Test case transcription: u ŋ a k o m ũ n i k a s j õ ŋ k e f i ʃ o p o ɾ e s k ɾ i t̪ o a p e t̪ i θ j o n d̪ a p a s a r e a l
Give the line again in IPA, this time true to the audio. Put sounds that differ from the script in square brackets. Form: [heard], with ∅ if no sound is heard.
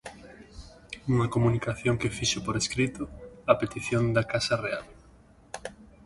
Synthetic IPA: u ŋ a k o m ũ n i k a [θ] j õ ŋ k e f i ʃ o p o ɾ e s k ɾ i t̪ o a p e t̪ i θ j o n d̪ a [k] a s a r e a l